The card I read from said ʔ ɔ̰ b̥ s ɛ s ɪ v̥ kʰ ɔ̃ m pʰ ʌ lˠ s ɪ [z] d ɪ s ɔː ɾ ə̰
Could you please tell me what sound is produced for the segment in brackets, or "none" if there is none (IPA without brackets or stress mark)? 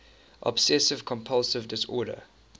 v